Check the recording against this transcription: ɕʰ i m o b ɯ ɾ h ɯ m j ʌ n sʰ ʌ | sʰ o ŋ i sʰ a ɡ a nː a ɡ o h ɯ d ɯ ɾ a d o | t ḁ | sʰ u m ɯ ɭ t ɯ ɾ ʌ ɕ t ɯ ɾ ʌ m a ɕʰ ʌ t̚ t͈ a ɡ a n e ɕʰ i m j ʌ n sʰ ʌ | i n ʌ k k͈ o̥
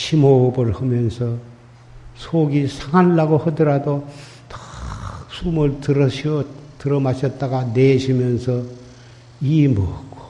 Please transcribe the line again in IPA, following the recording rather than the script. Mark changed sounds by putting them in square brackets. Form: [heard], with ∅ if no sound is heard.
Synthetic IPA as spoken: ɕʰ i m o b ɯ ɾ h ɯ m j ʌ n sʰ ʌ | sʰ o [ɡ] i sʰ a [ŋ] a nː a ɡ o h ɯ d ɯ ɾ a d o | t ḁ | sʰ u m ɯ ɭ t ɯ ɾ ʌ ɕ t ɯ ɾ ʌ m a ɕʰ ʌ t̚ t͈ a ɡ a n e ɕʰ i m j ʌ n sʰ ʌ | i [m] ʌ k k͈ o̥